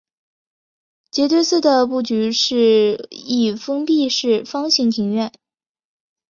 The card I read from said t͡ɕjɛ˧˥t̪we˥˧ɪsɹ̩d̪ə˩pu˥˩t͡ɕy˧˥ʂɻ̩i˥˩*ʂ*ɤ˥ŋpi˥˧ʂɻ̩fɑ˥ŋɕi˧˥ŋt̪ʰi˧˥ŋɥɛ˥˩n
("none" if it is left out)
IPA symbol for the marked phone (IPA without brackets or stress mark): f